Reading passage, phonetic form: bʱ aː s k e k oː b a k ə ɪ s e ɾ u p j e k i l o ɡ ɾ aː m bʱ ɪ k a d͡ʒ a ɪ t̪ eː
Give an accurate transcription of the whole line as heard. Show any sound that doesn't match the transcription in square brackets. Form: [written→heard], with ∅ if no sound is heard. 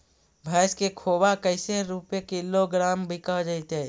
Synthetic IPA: bʱ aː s k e [k→kʰ] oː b a k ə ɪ s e ɾ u p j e k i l o ɡ ɾ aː m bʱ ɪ k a d͡ʒ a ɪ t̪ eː